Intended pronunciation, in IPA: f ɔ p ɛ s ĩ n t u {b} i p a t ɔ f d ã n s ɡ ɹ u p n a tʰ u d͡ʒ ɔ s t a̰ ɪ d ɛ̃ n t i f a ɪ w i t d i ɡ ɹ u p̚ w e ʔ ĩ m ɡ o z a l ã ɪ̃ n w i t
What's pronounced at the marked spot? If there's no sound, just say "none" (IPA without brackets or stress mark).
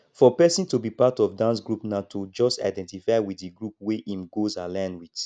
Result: b